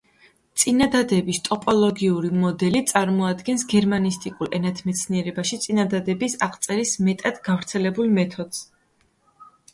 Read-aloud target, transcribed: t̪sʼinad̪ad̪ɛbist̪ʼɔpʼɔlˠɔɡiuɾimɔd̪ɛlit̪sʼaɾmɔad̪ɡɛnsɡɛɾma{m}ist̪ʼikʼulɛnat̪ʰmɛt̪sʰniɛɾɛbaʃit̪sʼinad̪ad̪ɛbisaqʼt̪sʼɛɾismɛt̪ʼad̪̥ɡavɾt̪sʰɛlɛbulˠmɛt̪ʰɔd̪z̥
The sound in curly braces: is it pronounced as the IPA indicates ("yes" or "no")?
no